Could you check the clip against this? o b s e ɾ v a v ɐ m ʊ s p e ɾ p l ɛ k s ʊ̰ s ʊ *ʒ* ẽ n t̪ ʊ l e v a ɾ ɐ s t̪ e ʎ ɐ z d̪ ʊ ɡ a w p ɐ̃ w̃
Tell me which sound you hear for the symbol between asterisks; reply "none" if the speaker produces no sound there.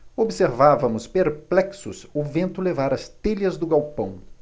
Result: v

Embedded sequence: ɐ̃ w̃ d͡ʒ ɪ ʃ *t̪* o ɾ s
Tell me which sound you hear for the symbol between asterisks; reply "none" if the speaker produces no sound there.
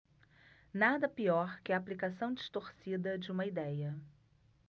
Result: t̪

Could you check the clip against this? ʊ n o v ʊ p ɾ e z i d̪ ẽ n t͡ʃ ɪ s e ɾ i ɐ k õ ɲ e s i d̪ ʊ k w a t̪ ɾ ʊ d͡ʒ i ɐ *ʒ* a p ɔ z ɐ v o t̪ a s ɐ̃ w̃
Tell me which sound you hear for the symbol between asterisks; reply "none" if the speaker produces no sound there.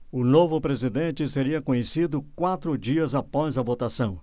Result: z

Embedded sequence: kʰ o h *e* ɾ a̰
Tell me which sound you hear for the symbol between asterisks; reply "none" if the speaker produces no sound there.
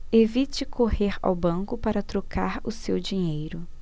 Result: e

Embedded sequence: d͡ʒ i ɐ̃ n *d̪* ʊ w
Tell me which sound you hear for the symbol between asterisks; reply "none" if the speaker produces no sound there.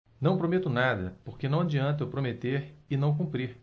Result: t̪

